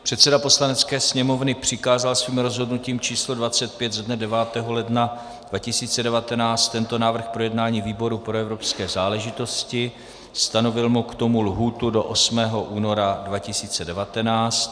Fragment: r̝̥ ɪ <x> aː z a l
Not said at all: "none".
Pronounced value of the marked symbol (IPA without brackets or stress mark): k